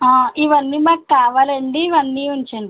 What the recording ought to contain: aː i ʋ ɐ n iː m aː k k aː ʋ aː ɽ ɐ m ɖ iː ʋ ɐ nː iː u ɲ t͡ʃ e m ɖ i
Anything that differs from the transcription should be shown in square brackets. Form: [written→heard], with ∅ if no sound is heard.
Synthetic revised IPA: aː i ʋ ɐ [n→nː] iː m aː k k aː ʋ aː [ɽ→l] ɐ [m→ɳ] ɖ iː ʋ ɐ nː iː u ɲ t͡ʃ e [m→ɳ] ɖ i